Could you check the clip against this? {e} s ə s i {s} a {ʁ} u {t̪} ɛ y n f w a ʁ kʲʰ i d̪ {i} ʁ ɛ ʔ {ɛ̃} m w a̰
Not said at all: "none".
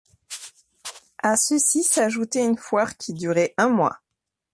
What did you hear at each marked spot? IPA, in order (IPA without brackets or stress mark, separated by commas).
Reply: a, s, ʒ, t̪, y, ɛ̃